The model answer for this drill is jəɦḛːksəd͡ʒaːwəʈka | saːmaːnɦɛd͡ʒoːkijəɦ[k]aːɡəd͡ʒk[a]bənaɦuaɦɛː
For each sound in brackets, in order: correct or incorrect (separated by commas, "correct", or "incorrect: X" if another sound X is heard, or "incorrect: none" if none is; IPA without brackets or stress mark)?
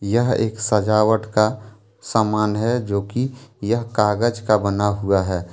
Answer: correct, correct